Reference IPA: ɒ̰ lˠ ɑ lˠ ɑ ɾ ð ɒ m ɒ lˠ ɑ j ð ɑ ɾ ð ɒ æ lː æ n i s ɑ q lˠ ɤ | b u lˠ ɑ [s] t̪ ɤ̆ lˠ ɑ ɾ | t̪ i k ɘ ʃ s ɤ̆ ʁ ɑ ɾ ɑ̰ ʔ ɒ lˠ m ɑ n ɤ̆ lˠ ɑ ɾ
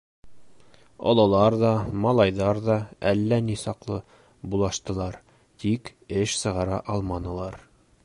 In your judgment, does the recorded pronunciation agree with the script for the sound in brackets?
no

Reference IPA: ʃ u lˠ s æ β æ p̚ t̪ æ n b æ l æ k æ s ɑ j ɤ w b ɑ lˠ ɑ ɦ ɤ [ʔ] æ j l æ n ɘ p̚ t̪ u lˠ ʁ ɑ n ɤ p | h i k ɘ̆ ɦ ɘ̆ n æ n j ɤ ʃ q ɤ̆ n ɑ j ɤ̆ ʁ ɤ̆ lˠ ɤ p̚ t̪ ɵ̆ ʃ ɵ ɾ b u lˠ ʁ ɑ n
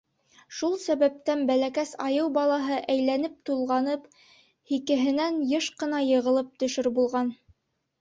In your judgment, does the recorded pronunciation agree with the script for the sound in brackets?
yes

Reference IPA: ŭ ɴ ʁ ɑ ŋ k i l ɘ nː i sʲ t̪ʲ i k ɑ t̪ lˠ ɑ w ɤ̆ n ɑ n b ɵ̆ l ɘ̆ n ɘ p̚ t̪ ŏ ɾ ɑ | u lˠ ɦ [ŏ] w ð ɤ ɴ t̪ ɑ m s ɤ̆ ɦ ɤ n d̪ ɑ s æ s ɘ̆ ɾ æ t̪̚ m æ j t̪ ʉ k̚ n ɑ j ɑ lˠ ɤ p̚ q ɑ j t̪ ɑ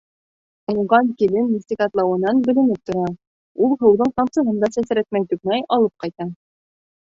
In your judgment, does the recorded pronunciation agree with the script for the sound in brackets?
no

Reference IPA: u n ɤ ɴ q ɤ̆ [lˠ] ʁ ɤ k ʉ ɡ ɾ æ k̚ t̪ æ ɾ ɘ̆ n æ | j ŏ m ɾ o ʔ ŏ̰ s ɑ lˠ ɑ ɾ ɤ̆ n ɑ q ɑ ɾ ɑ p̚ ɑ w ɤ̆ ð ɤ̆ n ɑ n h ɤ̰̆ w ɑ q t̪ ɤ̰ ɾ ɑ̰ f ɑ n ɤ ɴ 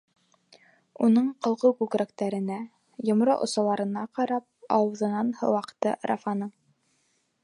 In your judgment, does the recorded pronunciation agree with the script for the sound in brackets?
yes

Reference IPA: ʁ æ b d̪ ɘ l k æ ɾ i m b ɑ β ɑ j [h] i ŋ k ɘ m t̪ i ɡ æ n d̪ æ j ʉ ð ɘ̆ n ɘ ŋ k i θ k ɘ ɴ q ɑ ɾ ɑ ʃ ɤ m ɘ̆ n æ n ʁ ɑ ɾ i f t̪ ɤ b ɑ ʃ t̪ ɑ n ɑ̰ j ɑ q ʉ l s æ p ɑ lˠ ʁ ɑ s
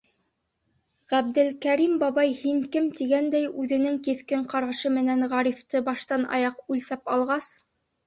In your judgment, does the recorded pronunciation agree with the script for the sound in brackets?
yes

